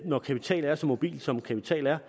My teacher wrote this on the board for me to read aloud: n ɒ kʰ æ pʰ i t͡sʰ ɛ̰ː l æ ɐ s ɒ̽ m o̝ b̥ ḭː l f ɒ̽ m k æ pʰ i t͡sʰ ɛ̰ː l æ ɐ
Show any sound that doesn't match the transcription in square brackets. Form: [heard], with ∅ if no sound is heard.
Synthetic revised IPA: n ɒ kʰ æ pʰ i t͡sʰ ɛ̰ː l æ ɐ s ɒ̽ m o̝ b̥ ḭː l [s] ɒ̽ m [kʰ] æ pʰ i t͡sʰ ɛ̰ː l æ ɐ